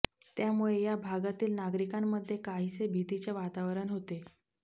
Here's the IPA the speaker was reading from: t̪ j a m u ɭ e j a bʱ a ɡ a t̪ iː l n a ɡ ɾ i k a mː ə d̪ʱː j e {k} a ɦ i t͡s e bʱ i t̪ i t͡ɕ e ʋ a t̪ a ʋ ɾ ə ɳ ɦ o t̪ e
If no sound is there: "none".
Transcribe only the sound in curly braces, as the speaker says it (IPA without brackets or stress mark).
k